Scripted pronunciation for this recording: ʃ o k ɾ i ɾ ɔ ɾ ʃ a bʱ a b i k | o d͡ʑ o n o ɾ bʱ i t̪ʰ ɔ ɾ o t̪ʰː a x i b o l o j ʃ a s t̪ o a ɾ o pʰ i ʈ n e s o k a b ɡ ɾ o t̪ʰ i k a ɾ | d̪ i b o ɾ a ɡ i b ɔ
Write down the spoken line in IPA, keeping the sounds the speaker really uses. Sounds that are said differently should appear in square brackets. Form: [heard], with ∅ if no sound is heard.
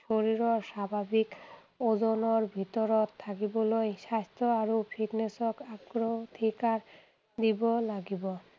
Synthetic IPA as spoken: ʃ o [∅] ɾ i ɾ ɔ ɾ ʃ a bʱ a b i k | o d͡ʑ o n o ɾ bʱ i [t̪] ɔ ɾ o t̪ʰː a [k] i b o l o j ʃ a s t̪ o a ɾ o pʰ i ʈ n e s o k a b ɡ ɾ o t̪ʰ i k a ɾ | d̪ i b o [l] a ɡ i b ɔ